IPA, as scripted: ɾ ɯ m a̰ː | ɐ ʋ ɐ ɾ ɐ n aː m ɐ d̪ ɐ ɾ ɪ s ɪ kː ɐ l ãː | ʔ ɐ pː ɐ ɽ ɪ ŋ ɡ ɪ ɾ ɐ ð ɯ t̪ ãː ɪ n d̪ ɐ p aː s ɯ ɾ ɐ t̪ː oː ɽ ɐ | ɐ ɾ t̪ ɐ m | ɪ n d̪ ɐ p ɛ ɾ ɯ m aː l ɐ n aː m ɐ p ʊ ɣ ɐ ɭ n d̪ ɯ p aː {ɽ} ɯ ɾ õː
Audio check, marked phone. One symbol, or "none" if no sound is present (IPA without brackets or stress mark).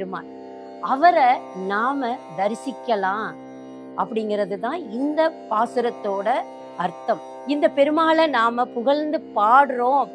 ɽ